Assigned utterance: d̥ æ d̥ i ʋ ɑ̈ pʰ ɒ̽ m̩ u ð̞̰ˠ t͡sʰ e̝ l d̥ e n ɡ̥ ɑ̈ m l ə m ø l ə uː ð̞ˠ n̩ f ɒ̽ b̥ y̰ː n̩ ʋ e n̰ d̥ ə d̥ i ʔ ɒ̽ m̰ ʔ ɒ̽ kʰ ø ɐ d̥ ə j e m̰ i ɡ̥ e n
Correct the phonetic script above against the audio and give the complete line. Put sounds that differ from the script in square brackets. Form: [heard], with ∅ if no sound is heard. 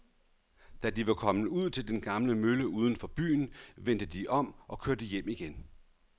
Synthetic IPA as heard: d̥ æ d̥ i ʋ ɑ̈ [kʰ] ɒ̽ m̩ u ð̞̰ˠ t͡sʰ e̝ l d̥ e n ɡ̥ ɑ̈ m l ə m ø l ə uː ð̞ˠ n̩ f ɒ̽ b̥ y̰ː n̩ ʋ e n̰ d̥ ə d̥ i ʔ ɒ̽ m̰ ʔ ɒ̽ kʰ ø ɐ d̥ ə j e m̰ i ɡ̥ e n